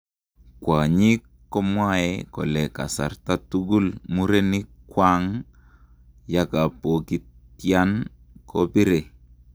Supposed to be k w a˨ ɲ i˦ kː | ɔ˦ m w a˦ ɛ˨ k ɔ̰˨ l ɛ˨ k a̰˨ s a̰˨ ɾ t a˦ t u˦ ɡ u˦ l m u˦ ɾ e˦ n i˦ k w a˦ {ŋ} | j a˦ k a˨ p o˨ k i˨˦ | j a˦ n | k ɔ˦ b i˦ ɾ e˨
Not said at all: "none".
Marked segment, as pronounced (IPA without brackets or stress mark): ŋ